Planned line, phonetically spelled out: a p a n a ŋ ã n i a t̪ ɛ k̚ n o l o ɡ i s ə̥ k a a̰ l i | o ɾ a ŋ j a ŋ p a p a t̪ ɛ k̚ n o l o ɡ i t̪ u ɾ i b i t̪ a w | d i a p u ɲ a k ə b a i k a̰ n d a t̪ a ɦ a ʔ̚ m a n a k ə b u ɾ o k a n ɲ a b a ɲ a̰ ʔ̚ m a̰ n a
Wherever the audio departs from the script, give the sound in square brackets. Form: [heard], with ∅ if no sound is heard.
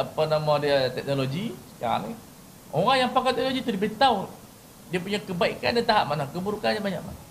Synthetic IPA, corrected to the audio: a p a n a [m] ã [d] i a t̪ ɛ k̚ n o l o ɡ i s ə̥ k a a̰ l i | o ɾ a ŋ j a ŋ p a [k] a t̪ ɛ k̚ n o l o ɡ i t̪ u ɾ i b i t̪ a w | d i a p u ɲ a k ə b a i k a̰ n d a t̪ a ɦ a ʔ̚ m a n a k ə b u ɾ [u] k a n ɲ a b a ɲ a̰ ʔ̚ m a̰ n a